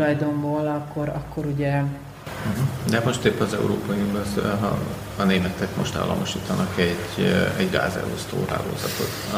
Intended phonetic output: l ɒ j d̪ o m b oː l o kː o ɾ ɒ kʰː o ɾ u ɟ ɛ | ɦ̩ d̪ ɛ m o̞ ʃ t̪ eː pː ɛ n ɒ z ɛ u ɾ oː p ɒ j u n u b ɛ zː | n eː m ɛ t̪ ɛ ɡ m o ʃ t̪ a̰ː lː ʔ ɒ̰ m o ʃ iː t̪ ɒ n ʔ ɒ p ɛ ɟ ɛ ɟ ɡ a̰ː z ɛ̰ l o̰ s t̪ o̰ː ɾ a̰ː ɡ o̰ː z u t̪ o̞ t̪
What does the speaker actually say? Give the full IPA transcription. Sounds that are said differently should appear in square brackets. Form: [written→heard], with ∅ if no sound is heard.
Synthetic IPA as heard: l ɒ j d̪ o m b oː l [o→ɒ] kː o ɾ ɒ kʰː o ɾ u ɟ ɛ | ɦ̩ d̪ ɛ m o̞ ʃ t̪ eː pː ɛ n ɒ z ɛ u ɾ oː p ɒ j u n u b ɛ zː | n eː m ɛ t̪ ɛ [ɡ→k] m o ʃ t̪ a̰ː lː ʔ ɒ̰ m o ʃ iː t̪ ɒ n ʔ ɒ [p→k] ɛ ɟ ɛ ɟ ɡ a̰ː z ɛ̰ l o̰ s t̪ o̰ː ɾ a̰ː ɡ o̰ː z [u→ɒ] t̪ o̞ t̪